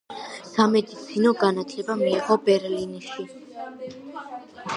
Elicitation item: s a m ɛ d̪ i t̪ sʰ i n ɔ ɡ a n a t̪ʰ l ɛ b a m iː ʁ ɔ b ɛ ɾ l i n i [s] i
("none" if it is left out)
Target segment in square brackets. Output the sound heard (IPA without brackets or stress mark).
ʃ